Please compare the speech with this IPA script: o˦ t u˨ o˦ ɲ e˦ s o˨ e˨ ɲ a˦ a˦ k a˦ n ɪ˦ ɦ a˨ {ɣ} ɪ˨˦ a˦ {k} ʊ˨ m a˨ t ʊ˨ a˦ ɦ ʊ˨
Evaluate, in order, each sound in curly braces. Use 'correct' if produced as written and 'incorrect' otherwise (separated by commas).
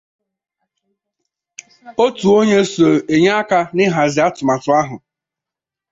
incorrect, incorrect